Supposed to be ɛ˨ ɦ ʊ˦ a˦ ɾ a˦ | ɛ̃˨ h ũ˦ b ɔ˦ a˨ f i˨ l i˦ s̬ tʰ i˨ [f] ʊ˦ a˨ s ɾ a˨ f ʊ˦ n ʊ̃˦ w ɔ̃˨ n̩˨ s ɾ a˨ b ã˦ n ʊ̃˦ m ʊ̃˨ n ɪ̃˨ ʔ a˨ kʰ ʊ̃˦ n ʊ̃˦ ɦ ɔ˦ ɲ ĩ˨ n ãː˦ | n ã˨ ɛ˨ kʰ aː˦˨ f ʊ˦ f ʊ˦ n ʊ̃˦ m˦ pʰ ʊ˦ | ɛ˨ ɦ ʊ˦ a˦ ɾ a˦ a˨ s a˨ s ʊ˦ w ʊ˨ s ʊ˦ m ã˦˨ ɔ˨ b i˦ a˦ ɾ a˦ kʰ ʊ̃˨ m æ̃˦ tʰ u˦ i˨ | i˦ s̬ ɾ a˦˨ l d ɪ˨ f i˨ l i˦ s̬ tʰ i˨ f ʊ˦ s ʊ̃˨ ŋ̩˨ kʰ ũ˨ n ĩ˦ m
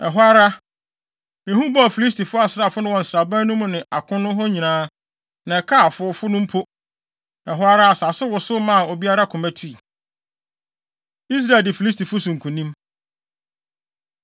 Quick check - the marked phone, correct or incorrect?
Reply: correct